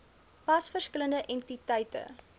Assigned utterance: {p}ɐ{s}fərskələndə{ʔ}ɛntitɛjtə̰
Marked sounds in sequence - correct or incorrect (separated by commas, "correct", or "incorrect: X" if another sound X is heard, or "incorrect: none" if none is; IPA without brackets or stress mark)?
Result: correct, correct, correct